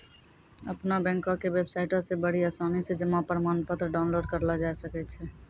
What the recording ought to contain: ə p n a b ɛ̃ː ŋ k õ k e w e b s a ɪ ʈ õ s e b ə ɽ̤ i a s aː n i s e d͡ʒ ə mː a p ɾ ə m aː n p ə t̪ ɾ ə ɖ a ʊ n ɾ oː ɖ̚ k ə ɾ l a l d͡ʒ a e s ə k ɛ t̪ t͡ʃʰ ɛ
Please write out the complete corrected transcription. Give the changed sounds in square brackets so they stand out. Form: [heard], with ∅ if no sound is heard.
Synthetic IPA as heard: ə p n a b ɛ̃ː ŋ k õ k e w e b s a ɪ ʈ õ s e b ə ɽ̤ i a s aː n i s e d͡ʒ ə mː a p ɾ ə m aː n p ə t̪ ɾ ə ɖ a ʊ n [l] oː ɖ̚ k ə ɾ l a [∅] d͡ʒ a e s ə k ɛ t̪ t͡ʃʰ ɛ